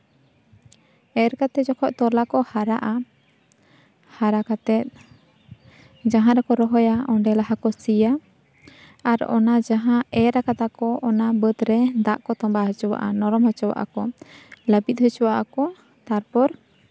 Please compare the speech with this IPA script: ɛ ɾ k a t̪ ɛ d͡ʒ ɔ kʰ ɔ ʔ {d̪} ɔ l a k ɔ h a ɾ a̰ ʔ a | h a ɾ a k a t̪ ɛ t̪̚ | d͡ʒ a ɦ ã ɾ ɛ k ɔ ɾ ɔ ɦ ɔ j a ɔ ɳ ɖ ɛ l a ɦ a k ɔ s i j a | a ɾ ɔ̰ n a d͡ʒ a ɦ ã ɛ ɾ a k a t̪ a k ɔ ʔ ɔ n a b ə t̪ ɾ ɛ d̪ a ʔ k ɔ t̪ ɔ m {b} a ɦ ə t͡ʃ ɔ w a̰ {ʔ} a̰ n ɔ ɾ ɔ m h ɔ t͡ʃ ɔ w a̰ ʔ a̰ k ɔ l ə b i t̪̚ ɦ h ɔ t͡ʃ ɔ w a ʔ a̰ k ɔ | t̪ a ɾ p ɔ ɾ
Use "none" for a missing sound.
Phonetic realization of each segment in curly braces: t̪, b, ʔ

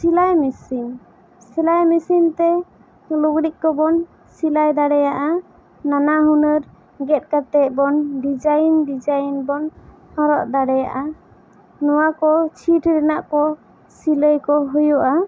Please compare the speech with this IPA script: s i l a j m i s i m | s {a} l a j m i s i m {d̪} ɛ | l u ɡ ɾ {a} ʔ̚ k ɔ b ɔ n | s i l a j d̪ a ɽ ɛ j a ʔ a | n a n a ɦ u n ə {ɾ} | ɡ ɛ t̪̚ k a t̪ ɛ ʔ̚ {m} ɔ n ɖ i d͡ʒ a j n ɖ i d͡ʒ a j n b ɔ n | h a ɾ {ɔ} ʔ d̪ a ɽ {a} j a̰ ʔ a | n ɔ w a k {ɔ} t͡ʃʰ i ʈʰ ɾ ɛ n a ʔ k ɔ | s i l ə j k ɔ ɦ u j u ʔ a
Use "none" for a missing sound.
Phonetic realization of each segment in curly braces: i, t̪, i, ɾ, b, ɔ, ɛ, ɔ

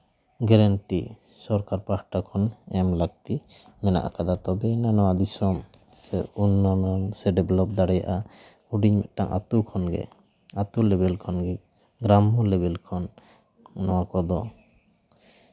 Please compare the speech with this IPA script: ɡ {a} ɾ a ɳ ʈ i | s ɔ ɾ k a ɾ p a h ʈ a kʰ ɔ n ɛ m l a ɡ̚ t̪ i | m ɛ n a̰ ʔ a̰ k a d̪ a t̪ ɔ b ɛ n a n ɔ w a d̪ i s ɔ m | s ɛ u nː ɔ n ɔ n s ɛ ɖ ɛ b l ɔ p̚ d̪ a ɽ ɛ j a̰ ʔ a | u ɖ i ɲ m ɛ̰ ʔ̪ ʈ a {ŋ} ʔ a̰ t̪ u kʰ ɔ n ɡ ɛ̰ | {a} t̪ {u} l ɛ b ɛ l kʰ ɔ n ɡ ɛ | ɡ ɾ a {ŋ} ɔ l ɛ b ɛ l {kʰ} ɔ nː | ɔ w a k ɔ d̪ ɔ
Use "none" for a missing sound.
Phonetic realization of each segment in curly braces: ɛ, ŋ, a, u, m, kʰ

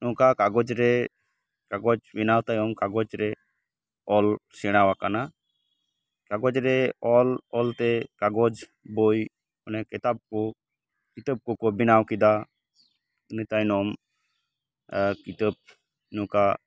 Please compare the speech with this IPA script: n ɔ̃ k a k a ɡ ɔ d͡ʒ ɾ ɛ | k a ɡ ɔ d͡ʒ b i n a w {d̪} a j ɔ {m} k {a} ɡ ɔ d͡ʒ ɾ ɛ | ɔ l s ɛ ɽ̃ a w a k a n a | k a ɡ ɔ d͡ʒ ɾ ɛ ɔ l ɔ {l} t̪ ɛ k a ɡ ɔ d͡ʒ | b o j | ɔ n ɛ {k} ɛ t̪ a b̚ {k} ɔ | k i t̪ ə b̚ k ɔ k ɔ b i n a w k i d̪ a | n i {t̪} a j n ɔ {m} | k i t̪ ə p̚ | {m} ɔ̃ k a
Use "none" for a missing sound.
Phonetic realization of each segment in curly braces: t̪, m, a, l, k, k, t̪, m, n

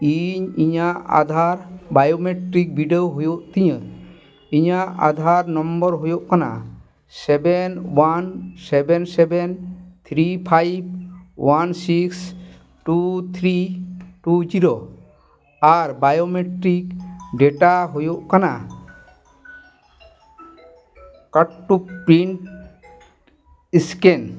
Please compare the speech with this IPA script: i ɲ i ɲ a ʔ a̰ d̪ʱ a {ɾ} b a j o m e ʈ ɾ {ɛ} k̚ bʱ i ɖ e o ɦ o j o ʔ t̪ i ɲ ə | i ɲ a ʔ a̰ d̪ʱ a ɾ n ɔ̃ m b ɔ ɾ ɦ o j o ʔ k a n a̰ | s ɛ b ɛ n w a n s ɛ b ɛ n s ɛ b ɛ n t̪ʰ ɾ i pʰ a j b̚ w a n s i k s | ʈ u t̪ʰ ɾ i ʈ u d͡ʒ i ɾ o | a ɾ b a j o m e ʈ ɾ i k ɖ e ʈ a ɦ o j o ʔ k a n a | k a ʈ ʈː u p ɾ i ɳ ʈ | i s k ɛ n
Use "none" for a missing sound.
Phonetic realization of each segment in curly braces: ɾ, i

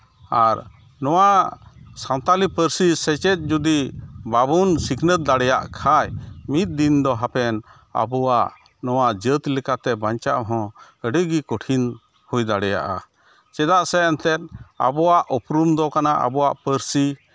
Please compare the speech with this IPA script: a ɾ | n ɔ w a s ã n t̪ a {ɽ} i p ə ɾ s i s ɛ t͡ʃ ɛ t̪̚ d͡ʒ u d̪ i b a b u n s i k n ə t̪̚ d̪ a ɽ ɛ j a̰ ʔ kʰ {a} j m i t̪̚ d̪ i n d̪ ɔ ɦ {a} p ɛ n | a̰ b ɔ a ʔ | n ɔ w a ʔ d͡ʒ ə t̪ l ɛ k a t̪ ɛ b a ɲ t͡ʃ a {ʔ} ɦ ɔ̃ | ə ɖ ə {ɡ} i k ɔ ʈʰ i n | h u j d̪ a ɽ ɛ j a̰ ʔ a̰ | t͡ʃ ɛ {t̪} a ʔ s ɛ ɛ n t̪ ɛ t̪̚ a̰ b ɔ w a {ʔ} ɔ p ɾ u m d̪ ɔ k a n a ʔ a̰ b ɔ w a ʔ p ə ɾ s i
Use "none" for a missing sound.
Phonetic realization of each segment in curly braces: l, a, a, ʔ, ɡ, d̪, ʔ

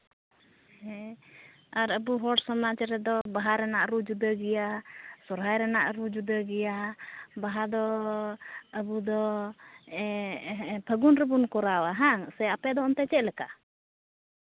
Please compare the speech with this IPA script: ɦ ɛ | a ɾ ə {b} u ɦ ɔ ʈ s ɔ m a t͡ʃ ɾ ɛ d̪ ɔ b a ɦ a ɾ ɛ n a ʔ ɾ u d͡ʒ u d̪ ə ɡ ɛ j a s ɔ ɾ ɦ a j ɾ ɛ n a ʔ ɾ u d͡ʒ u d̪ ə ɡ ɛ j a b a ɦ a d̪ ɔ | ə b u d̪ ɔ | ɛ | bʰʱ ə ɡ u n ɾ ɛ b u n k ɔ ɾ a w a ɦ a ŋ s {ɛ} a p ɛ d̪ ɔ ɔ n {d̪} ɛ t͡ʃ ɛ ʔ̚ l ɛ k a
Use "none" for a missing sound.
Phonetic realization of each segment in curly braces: b, ɛ, t̪

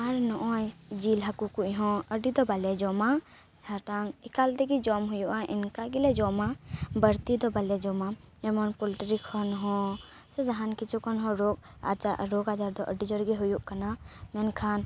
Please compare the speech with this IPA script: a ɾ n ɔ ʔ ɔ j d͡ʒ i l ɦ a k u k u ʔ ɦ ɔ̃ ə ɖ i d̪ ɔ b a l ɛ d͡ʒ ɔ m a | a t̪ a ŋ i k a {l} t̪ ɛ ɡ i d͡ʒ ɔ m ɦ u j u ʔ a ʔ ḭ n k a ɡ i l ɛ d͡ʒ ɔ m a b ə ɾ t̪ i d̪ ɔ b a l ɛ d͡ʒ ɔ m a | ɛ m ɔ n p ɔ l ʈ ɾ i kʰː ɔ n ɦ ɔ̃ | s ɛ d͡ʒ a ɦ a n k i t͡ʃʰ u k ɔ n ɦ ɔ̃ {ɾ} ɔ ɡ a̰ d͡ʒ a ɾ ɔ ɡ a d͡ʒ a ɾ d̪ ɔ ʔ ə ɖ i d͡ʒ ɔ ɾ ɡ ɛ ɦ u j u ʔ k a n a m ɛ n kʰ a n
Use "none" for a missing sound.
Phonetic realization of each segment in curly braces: l, ɾ

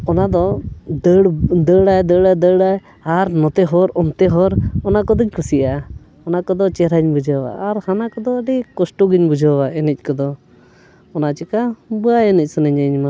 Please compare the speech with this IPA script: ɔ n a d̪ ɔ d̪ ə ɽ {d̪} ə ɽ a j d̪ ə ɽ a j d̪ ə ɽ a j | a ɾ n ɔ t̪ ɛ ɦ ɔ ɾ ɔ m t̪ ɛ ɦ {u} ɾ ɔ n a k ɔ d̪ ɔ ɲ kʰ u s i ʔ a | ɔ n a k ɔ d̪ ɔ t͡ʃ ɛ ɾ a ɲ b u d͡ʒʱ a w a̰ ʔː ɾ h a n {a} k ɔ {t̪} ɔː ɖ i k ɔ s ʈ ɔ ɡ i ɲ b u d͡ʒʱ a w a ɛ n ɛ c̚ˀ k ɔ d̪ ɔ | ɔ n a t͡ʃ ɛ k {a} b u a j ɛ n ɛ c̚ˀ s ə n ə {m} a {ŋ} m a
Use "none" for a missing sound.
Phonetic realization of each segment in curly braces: d̪, ɔ, a, d̪, a, ɲ, ɲ

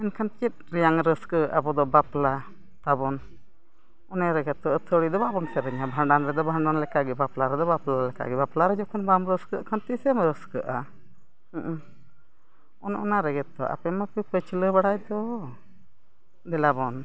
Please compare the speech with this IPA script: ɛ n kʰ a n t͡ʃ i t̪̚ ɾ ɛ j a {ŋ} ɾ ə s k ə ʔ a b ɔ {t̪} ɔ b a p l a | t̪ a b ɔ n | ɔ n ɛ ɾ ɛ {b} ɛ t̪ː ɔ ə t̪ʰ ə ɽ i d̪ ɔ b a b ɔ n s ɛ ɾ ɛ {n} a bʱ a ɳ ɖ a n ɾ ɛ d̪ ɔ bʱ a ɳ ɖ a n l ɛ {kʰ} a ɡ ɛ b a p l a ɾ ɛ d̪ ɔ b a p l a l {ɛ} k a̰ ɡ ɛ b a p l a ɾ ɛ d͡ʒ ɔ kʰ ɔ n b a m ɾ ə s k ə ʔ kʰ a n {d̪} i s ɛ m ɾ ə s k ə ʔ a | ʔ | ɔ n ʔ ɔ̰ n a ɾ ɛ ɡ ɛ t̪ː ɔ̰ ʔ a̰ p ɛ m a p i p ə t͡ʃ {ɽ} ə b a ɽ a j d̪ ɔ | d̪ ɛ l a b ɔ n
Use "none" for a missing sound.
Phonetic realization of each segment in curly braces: ŋ, d̪, ɡ, ɲ, k, ɛ, t̪, l

